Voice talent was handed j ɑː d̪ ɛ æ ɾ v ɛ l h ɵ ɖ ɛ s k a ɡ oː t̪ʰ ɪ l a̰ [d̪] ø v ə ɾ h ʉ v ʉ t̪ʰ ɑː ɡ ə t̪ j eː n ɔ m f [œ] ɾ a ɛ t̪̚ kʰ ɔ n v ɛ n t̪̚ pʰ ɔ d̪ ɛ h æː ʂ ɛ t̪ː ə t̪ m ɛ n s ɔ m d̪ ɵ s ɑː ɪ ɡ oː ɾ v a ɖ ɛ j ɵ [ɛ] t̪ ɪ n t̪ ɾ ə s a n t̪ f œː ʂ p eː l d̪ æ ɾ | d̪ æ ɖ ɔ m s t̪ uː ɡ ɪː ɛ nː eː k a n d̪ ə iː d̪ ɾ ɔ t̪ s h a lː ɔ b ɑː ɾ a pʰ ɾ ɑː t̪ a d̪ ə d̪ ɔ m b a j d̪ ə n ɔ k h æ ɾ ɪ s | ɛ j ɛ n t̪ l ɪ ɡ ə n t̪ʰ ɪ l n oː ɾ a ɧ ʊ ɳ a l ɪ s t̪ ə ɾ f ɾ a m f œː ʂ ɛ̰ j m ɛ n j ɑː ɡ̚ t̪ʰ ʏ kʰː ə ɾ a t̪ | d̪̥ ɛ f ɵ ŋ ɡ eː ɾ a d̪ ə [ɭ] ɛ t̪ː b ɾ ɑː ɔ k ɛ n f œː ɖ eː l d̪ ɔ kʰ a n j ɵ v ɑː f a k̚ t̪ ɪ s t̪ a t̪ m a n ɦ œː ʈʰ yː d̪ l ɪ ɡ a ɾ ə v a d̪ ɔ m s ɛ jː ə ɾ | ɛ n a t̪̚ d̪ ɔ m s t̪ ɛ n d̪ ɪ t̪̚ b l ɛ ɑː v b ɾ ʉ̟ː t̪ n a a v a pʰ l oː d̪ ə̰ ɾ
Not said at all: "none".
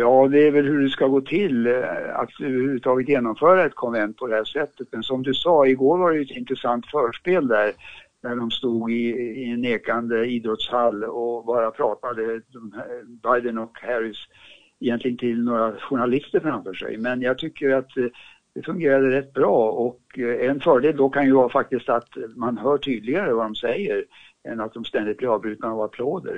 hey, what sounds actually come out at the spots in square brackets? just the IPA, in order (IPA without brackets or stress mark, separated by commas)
t̪, œː, ɛ, ɾ